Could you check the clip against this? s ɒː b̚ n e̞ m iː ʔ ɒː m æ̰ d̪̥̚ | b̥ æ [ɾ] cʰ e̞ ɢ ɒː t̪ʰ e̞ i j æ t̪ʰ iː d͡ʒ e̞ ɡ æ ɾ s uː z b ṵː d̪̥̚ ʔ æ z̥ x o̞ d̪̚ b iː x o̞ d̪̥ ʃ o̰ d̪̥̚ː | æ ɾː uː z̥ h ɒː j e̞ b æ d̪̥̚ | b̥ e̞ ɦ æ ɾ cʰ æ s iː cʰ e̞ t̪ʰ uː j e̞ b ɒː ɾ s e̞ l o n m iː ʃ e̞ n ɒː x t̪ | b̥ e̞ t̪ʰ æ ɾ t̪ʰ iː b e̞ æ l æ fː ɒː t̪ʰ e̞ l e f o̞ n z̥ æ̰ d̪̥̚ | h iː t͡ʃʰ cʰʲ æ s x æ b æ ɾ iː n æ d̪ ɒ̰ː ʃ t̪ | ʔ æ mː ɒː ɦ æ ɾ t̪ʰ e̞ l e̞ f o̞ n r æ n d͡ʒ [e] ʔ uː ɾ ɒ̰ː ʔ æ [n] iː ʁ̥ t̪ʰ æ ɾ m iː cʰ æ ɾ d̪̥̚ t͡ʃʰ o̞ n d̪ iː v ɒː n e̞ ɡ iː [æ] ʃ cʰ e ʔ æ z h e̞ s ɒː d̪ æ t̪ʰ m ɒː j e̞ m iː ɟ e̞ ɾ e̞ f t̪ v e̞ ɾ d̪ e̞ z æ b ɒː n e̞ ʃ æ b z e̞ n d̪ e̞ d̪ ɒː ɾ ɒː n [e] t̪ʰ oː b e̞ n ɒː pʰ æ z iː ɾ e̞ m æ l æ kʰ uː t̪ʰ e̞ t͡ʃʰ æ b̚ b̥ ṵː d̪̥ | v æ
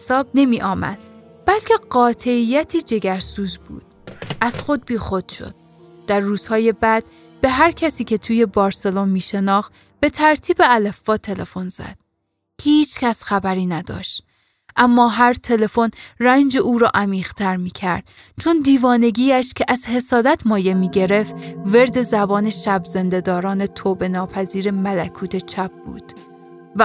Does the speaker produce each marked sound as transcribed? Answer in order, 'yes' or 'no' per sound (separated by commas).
no, yes, no, yes, yes